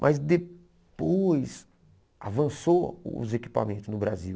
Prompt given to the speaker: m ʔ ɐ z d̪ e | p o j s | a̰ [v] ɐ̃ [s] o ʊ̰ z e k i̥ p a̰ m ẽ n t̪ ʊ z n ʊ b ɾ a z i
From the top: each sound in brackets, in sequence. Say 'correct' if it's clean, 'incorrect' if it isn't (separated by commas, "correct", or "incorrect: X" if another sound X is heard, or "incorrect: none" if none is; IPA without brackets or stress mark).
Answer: correct, correct